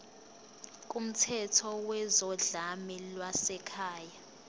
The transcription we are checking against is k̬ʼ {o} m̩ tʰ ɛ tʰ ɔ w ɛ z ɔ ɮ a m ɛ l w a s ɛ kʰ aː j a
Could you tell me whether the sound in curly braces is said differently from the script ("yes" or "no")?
yes